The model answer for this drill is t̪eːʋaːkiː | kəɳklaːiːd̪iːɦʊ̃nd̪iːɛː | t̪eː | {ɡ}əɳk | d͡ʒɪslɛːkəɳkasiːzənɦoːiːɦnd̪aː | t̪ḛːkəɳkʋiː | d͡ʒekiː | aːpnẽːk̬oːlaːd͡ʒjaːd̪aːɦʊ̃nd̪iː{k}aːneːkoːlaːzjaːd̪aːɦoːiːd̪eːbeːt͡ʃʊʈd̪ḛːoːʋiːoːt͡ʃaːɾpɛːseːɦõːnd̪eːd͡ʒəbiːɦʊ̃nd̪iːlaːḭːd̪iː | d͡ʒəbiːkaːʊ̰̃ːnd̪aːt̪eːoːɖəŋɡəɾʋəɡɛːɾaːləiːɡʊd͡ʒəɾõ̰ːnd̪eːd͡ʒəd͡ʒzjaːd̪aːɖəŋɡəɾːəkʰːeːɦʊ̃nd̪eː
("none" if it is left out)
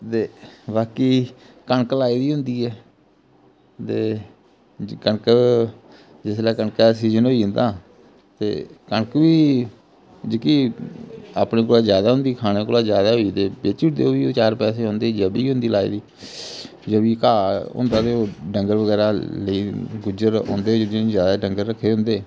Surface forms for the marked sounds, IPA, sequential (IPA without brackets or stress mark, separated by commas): k, kʰ